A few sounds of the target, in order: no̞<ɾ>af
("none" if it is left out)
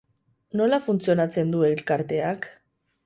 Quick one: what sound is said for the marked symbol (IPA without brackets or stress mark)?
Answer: l